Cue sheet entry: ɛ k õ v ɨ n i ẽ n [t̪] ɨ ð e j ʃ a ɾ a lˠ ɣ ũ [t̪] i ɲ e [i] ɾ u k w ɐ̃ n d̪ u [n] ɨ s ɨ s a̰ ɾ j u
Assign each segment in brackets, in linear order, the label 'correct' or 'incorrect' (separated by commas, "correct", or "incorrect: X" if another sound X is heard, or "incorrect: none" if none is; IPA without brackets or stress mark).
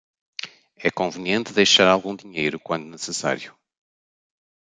correct, incorrect: d̪, incorrect: j, correct